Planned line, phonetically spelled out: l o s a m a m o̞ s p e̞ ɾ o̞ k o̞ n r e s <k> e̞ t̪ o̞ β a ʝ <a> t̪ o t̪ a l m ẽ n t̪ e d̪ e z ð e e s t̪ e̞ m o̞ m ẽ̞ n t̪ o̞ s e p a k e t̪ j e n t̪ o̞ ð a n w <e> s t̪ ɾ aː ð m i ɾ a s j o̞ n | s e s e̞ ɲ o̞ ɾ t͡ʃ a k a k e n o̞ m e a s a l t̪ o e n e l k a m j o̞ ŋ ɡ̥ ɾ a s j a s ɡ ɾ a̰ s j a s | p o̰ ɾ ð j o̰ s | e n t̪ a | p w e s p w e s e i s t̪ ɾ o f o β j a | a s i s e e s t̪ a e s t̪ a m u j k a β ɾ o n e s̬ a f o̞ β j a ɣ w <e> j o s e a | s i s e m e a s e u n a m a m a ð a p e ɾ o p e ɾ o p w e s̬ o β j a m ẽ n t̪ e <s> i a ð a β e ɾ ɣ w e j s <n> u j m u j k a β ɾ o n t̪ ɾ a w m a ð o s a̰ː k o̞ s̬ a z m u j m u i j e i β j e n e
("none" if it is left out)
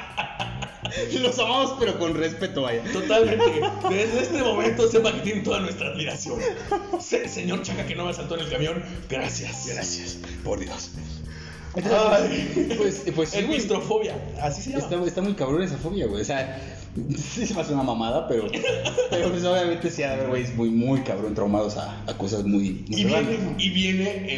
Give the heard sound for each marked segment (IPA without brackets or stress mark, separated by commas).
p, a, e, e, s, m